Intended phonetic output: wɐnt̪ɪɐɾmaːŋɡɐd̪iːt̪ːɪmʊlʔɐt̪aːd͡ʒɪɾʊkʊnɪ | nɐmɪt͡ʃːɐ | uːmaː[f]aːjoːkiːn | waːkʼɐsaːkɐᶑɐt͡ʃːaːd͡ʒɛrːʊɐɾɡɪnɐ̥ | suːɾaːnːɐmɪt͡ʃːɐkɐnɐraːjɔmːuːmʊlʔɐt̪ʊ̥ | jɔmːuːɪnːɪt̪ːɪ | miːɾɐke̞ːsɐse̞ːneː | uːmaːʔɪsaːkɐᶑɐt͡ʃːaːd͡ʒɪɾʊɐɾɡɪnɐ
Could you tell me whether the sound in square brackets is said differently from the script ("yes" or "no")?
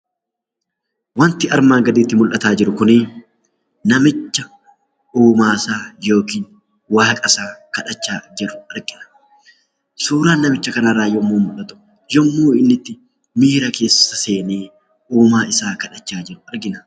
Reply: yes